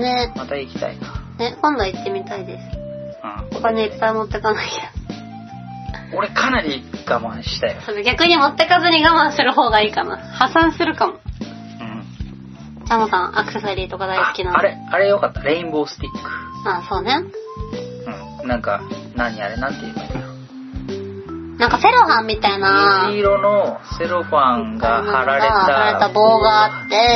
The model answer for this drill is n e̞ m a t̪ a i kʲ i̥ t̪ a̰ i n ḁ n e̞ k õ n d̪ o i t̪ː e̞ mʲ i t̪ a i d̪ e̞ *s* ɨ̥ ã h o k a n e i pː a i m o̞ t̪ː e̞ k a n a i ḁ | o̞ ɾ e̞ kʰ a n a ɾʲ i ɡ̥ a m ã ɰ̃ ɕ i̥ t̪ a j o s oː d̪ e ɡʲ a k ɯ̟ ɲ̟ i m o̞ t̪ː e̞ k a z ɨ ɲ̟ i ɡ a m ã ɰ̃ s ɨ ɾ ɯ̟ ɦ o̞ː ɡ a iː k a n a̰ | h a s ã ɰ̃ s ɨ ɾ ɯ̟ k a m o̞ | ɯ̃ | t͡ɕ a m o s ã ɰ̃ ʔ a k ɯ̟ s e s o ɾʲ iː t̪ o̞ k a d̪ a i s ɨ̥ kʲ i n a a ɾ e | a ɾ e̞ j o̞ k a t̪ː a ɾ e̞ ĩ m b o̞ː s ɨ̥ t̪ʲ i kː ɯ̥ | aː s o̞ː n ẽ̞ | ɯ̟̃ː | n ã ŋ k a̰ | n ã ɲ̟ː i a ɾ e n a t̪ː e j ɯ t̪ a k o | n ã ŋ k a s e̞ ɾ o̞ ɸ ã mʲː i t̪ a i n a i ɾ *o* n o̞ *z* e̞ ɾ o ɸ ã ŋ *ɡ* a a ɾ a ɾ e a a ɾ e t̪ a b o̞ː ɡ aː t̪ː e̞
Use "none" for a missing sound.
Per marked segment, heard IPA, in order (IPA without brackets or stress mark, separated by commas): s, o, s, ɡ